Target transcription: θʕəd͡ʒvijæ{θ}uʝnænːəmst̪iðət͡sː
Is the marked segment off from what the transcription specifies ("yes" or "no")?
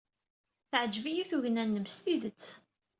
no